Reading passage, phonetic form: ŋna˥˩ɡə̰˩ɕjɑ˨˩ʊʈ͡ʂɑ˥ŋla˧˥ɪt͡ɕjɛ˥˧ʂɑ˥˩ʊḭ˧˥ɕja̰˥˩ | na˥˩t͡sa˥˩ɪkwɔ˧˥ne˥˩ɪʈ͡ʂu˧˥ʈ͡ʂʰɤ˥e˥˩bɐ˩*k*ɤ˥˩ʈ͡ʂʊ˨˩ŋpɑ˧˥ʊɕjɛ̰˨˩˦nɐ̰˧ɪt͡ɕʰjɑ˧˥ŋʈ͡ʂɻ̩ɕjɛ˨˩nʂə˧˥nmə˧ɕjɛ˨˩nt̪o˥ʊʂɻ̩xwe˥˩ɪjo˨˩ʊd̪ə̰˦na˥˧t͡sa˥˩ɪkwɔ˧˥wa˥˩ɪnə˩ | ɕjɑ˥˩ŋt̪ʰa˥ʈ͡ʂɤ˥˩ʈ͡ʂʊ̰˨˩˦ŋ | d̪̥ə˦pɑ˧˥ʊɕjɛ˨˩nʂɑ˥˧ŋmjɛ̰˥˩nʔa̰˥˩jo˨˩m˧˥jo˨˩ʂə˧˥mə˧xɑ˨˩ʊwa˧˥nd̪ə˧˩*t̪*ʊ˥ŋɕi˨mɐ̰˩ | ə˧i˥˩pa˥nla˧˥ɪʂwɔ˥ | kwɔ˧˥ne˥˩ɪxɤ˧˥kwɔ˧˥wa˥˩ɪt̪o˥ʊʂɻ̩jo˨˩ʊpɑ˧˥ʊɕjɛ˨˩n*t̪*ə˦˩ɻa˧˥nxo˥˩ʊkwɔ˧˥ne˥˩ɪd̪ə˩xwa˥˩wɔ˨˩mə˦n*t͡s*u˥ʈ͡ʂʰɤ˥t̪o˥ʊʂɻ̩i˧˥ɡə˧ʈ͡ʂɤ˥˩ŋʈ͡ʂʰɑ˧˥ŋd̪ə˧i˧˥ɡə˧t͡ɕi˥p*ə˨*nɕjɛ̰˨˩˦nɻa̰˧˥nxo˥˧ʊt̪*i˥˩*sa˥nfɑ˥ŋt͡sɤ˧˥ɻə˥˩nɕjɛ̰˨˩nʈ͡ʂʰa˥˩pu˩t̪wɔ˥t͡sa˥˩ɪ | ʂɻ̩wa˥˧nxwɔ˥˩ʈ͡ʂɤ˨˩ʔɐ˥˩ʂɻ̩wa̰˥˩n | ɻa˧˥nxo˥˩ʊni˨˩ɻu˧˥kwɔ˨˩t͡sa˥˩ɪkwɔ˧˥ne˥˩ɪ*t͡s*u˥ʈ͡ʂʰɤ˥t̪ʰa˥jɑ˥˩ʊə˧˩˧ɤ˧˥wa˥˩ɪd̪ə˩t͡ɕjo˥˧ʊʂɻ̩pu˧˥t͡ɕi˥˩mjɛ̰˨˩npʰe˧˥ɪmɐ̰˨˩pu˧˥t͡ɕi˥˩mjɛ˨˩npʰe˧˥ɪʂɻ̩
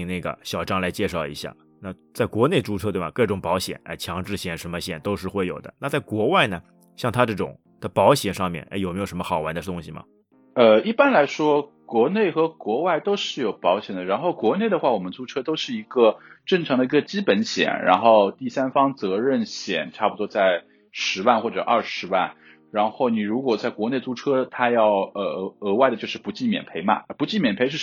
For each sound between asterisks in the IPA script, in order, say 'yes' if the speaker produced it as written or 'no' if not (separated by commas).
yes, yes, no, yes, no, yes, yes